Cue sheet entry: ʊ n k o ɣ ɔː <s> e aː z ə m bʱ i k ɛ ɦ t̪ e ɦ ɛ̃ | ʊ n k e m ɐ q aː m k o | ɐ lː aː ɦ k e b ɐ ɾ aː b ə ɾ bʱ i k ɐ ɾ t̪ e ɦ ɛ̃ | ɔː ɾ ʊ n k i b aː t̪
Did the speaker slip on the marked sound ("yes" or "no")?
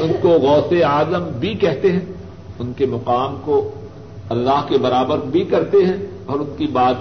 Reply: no